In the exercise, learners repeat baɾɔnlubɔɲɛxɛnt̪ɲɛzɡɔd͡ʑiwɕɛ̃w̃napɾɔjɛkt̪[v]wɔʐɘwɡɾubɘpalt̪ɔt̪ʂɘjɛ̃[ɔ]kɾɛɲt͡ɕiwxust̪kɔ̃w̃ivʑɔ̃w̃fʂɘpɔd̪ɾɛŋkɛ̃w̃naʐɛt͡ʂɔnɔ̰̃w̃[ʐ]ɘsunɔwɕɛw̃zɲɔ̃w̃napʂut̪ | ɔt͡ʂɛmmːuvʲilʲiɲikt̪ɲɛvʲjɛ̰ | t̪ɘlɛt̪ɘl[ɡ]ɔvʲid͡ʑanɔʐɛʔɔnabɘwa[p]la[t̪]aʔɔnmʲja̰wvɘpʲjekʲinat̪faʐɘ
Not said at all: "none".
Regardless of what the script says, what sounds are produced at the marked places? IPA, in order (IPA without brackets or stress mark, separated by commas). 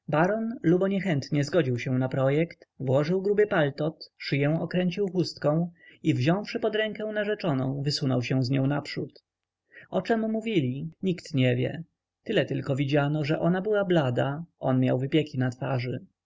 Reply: v, ɔ, v, k, b, d̪